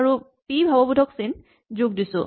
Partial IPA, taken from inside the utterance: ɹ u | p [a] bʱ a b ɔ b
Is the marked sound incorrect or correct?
incorrect